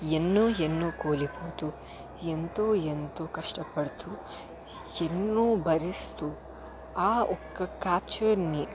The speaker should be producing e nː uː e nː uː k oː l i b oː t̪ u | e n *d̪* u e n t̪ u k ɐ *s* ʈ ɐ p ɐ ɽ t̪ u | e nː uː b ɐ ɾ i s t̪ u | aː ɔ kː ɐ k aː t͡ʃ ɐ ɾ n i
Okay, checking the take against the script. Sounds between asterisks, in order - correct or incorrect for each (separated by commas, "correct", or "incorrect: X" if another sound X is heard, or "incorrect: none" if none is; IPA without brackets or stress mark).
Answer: incorrect: t̪, incorrect: ʂ